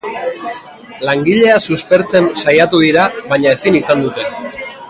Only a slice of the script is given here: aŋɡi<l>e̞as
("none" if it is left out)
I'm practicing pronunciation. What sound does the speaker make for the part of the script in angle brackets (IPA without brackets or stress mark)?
ʎ